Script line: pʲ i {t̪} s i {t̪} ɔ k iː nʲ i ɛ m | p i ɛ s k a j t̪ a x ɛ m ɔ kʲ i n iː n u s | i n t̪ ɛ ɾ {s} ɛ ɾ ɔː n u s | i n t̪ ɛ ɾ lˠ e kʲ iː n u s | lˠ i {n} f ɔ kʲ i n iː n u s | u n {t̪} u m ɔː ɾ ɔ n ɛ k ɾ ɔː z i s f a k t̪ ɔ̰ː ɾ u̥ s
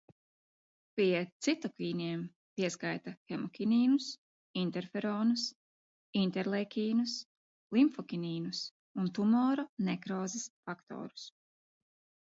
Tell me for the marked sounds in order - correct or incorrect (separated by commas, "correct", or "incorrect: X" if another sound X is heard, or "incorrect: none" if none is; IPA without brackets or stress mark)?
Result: correct, correct, incorrect: f, incorrect: m, correct